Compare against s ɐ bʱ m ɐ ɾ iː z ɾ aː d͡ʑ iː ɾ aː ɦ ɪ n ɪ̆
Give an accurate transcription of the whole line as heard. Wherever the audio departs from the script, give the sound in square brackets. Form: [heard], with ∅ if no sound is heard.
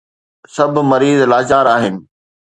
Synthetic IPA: s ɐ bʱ m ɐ ɾ iː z [l] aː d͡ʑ [aː] ɾ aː ɦ ɪ n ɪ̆